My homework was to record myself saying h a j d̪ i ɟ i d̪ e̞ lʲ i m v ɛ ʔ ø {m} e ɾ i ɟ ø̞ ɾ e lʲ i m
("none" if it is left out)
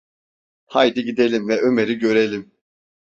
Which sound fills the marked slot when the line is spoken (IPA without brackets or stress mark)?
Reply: m